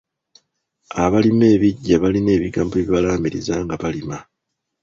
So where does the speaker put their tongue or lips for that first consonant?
lips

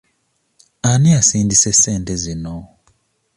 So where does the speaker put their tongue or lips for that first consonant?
tongue tip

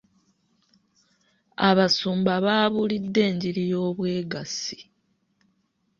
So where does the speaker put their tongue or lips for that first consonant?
lips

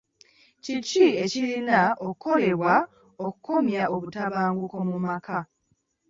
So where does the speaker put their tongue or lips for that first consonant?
palate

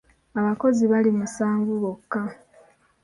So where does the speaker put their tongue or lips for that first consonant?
lips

